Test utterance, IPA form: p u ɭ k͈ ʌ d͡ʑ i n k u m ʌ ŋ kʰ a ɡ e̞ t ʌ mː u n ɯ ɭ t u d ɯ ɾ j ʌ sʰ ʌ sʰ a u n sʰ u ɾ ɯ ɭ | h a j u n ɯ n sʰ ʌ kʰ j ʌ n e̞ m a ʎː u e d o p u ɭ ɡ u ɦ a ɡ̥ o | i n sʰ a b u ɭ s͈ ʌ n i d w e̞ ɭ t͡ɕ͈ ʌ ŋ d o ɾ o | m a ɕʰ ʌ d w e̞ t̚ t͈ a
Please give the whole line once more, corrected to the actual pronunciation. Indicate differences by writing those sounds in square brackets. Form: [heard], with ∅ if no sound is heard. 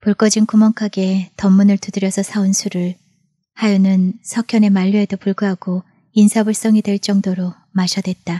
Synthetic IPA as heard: p u ɭ k͈ ʌ d͡ʑ i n k u m ʌ ŋ kʰ a ɡ e̞ t ʌ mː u n ɯ ɭ t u d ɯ ɾ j ʌ sʰ ʌ sʰ a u n sʰ u ɾ ɯ ɭ | h a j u n ɯ n sʰ ʌ kʰ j ʌ n e̞ m a ʎː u e d o p u ɭ ɡ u ɦ a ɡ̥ o | i n sʰ a b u ɭ s͈ ʌ [ŋ] i d w e̞ ɭ t͡ɕ͈ ʌ ŋ d o ɾ o | m a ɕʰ ʌ d w e̞ t̚ t͈ a